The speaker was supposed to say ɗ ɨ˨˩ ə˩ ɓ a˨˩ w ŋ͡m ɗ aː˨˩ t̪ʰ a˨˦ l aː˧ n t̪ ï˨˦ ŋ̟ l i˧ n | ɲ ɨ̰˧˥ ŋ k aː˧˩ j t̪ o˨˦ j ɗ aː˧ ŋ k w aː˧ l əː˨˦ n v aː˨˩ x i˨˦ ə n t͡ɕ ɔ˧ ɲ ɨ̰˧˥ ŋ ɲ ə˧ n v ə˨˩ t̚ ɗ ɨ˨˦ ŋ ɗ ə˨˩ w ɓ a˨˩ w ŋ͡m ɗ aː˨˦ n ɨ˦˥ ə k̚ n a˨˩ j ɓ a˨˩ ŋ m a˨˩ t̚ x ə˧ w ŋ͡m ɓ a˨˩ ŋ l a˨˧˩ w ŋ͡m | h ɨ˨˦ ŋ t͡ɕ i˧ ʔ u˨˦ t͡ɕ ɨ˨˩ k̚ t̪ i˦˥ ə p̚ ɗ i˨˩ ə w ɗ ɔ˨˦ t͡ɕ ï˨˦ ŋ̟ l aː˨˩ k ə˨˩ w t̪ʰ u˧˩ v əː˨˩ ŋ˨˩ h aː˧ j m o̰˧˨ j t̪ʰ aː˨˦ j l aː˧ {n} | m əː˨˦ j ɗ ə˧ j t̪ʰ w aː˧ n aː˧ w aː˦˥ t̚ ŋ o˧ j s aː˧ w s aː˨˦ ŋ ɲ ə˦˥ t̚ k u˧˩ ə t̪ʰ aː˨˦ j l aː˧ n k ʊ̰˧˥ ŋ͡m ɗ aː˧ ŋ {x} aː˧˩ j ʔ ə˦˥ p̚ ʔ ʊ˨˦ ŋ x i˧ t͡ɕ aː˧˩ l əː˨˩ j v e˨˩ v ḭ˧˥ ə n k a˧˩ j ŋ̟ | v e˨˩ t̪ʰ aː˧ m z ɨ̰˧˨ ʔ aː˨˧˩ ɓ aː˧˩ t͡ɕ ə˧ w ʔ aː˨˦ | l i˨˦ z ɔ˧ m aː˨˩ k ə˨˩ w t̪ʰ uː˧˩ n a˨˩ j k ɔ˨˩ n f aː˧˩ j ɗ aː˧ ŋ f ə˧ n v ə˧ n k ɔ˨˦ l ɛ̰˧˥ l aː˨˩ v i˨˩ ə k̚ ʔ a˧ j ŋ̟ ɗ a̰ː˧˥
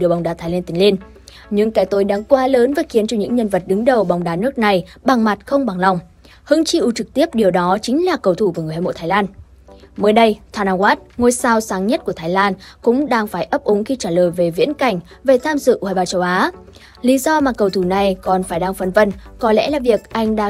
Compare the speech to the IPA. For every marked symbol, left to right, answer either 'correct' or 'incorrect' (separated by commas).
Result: correct, incorrect